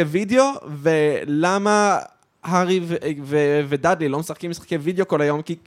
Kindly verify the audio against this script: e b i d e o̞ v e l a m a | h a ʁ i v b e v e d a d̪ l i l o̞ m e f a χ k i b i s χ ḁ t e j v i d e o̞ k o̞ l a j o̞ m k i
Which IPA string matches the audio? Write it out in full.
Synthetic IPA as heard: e v i d e o̞ v e l a m a | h a ʁ i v v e v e d a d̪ l i l o̞ m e s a χ k i m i s χ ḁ k e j v i d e o̞ k o̞ l a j o̞ m k i